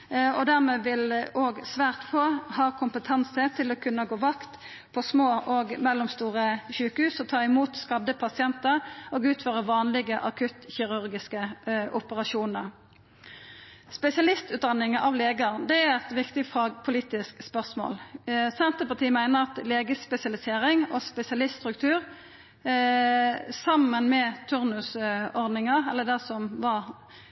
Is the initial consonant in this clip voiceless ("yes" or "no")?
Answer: no